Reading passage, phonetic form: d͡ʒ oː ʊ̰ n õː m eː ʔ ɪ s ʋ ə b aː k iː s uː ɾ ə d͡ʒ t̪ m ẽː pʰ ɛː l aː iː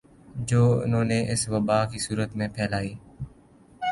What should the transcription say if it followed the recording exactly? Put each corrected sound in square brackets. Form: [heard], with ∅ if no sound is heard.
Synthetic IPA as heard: d͡ʒ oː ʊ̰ n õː [n] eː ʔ ɪ s ʋ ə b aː k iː s uː ɾ ə [∅] t̪ m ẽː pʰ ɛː l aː iː